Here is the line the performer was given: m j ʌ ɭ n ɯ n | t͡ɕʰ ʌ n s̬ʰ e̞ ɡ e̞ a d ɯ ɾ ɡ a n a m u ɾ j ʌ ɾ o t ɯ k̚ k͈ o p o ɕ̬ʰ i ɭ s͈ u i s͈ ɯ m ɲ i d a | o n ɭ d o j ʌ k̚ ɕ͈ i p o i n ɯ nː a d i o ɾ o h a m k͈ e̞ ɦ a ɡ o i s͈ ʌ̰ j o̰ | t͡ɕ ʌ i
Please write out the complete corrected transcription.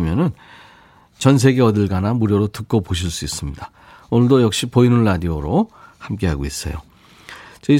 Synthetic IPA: m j ʌ n ɯ n | t͡ɕ ʌ n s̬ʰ e̞ ɡ e̞ ʌ d ɯ ɭ ɡ a n a m u ɾ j ʌ ɾ o t ɯ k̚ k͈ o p o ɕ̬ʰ i ɭ s͈ u i s͈ ɯ m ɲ i d a | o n ɭ d o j ʌ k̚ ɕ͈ i p o i n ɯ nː a d i o ɾ o h a m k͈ e̞ ɦ a ɡ o i s͈ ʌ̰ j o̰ | t͡ɕ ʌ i